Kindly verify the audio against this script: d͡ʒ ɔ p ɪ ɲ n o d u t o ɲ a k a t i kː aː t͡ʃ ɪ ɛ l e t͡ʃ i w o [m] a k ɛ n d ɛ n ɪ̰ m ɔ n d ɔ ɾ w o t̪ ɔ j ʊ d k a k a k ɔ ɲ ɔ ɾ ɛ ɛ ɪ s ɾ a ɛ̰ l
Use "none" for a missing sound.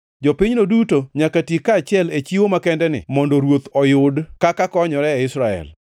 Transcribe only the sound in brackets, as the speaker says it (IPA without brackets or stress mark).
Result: m